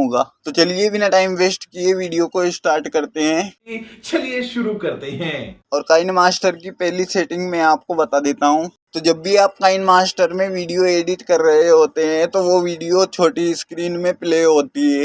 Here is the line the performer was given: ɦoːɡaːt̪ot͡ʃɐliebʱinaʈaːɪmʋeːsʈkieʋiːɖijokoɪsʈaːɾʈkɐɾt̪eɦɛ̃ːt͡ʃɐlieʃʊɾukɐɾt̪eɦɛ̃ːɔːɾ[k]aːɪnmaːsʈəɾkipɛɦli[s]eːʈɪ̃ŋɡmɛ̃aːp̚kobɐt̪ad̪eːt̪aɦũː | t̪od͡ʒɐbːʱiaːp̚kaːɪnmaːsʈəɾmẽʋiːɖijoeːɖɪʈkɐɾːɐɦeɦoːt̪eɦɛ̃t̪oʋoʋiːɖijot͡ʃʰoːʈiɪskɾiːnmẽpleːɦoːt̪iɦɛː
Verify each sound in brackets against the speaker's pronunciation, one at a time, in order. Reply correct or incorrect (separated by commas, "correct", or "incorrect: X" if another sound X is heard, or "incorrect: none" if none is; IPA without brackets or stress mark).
correct, correct